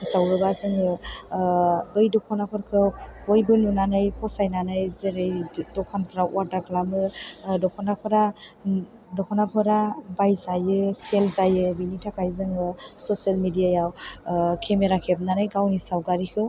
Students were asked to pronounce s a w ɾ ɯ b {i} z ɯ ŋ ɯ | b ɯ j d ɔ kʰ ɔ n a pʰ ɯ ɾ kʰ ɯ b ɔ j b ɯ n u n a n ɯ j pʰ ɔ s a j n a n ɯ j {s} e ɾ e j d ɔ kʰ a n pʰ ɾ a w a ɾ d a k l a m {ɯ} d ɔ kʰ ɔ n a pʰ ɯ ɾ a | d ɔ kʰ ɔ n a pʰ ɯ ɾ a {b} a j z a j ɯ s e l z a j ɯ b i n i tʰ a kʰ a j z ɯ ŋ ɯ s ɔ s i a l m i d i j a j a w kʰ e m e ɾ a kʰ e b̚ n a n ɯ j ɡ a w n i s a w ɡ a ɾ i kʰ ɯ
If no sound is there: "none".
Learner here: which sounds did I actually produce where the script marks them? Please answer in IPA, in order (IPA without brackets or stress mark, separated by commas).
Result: a, z, ɯ, b